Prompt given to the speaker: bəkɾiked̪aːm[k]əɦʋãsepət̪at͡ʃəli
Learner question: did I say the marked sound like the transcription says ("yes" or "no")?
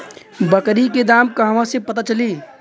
yes